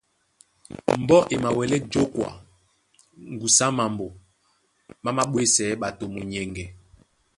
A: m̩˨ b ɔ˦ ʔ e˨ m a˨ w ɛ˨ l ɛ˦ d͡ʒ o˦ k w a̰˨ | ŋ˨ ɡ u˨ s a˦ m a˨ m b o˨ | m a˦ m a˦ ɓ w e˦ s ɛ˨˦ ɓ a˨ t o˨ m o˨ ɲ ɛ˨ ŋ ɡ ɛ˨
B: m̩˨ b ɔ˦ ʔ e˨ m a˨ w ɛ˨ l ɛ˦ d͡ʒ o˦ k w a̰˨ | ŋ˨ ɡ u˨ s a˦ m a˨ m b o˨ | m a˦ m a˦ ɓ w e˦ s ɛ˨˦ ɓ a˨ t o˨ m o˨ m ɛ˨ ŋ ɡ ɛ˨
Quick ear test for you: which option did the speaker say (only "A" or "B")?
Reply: A